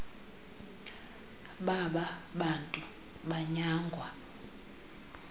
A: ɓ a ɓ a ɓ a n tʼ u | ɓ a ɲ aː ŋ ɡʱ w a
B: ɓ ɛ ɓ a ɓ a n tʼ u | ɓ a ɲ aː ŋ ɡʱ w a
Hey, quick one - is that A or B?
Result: A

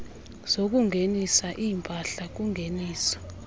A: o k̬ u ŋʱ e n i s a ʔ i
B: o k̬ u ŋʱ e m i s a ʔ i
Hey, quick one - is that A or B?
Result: A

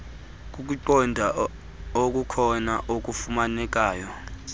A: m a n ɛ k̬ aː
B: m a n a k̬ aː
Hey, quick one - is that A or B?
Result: A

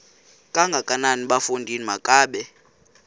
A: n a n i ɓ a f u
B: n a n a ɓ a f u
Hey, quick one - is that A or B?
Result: A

